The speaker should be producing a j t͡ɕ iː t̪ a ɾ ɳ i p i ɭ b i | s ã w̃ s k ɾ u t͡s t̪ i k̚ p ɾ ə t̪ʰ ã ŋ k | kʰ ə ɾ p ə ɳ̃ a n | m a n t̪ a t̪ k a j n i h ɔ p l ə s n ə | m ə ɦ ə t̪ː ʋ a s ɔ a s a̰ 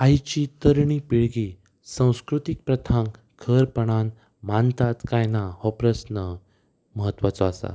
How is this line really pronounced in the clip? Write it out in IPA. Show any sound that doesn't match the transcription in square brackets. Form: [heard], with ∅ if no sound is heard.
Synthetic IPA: a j t͡ɕ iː t̪ [ə] ɾ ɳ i p i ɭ [ɡ] i | s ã w̃ s k ɾ u [∅] t̪ i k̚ p ɾ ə t̪ʰ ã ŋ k | kʰ ə ɾ p ə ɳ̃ a n | m a n t̪ a t̪ k a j n [a] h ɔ p [ɾ] ə s n ə | m ə ɦ ə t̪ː ʋ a [t͡s] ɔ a s a̰